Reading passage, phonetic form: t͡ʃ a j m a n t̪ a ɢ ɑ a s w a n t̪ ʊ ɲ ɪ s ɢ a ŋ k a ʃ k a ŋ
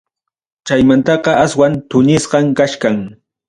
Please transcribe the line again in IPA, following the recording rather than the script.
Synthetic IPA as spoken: t͡ʃ a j m a n t̪ ɑ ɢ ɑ a s w a n t̪ ʊ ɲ ɪ s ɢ ɑ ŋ k a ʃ k a ŋ